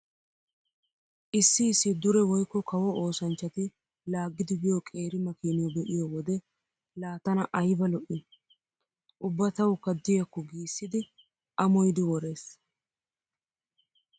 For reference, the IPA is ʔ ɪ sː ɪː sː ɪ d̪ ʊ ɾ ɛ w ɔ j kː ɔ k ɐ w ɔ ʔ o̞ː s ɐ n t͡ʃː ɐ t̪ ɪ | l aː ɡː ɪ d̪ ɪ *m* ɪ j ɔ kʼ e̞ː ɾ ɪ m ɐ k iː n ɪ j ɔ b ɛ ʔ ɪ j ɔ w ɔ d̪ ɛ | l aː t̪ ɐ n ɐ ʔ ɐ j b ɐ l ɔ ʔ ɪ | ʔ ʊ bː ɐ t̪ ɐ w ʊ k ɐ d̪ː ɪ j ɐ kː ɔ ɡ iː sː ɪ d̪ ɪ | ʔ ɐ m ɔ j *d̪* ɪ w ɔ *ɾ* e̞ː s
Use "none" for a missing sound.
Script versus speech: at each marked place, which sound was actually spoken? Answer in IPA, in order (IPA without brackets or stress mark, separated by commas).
b, d̪, ɾ